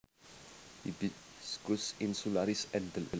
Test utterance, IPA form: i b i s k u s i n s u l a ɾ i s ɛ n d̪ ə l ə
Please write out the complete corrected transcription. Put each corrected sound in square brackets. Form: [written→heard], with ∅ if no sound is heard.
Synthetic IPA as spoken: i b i s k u s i n s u l a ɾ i s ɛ n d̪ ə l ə